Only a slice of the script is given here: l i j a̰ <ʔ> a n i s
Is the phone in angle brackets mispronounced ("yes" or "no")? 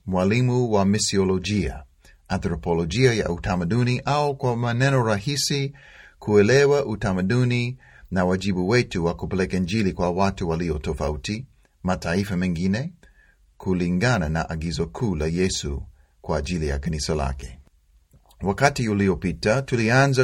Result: yes